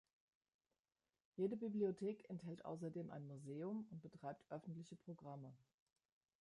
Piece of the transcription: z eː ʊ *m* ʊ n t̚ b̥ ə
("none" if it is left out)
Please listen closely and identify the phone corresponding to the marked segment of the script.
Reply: m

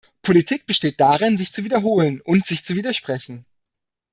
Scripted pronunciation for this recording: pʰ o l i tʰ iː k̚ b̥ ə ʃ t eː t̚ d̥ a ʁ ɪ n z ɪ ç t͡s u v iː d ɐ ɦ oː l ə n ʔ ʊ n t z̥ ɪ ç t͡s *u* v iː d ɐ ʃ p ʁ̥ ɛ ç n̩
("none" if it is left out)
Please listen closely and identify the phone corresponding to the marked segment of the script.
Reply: u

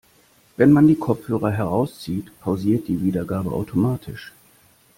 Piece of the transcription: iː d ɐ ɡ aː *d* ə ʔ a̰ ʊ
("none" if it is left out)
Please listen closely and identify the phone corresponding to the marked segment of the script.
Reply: b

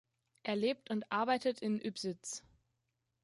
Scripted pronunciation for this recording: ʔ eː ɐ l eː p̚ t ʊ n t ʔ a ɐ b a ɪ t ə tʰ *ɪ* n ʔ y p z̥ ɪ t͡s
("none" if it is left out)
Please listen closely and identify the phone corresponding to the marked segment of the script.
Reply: ɪ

